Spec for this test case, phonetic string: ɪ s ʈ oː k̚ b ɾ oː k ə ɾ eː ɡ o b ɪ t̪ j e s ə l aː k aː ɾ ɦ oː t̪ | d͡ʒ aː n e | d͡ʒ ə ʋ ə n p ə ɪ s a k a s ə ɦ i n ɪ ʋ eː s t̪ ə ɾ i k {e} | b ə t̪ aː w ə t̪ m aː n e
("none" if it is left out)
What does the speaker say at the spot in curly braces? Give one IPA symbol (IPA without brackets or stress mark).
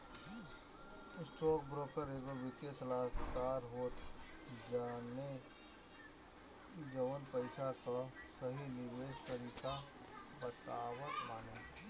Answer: a